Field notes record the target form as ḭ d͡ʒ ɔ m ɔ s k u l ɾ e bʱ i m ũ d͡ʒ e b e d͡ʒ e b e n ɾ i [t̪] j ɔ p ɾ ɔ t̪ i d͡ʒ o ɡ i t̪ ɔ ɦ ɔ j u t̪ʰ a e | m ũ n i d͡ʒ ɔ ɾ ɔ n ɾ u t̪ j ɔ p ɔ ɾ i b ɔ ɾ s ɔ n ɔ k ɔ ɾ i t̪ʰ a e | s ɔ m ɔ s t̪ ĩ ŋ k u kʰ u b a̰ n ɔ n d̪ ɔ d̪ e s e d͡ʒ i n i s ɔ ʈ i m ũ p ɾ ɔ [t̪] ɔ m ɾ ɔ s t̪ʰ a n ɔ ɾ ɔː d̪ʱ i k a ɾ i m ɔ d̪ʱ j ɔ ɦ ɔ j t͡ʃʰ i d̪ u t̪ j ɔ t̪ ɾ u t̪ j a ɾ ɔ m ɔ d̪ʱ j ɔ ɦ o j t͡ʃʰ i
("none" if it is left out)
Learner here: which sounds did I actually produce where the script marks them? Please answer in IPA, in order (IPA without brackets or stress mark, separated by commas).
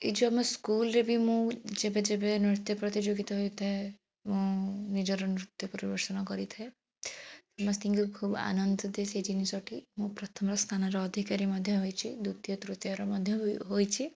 t̪, t̪ʰ